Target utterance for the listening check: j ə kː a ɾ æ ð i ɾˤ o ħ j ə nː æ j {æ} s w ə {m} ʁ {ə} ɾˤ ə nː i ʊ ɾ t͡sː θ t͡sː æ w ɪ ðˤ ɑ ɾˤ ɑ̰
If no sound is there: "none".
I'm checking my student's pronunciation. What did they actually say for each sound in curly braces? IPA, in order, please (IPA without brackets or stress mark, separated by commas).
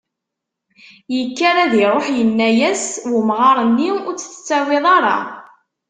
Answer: æ, m, ɑ